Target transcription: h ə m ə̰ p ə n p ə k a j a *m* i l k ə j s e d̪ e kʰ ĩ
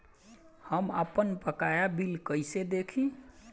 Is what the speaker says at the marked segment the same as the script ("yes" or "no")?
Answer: no